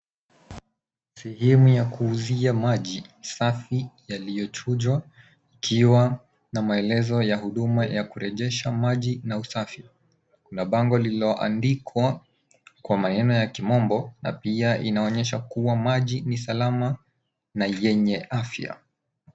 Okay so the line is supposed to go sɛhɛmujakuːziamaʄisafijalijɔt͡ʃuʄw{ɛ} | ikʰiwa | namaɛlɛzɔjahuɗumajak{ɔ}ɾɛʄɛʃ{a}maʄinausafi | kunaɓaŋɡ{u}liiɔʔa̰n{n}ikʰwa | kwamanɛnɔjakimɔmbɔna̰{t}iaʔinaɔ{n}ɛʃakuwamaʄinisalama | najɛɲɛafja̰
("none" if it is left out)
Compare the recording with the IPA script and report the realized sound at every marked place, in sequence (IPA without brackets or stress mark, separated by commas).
a, u, a, ɔ, d, p, ɲ